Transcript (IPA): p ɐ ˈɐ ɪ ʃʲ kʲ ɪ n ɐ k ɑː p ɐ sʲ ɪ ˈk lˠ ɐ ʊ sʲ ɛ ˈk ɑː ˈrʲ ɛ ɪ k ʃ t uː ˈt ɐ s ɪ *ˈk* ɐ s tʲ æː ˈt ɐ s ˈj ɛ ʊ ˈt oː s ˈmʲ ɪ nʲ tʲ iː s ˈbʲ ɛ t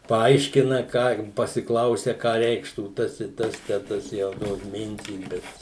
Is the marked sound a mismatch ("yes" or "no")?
yes